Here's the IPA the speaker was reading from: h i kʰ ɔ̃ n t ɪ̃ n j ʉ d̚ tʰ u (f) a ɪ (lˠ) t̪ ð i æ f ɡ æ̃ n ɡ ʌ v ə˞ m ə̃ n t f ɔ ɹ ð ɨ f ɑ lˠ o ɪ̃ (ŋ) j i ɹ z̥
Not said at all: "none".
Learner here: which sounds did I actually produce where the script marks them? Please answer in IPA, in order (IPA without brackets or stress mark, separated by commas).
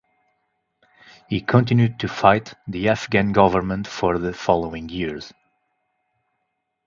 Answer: f, none, ŋ